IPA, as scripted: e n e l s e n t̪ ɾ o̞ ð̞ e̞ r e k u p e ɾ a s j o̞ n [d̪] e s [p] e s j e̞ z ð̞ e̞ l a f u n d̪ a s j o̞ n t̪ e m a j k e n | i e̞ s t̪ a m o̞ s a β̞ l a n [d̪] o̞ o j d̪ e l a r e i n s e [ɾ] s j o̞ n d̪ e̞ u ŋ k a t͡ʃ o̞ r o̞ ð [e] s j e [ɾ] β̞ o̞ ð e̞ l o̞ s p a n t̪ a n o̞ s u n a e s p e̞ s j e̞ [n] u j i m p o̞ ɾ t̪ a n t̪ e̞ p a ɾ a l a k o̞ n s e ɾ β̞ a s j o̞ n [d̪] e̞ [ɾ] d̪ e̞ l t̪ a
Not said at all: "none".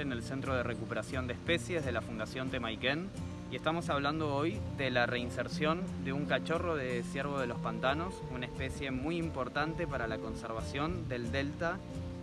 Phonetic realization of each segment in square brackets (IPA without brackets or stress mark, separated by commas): d̪, p, d̪, ɾ, e, ɾ, m, d̪, l